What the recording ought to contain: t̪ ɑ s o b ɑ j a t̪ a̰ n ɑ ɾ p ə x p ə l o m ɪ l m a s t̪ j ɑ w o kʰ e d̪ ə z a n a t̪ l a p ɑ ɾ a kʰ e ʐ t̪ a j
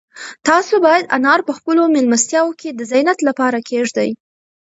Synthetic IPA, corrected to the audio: t̪ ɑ s o b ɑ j a d̪ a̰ n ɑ ɾ p ə x p ə l o m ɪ l m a s t̪ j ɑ w o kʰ e d̪ ə z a n a t̪ l a p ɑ ɾ a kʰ e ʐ d̪ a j